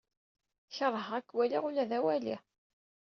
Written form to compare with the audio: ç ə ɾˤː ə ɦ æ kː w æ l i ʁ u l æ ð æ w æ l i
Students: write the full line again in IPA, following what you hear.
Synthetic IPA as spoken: ç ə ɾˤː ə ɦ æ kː w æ l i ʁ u l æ ð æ w æ l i

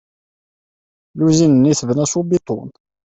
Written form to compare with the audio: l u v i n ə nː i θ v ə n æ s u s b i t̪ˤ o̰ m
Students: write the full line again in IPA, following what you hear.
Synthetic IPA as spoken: l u z i n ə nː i θ v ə n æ s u b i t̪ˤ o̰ n

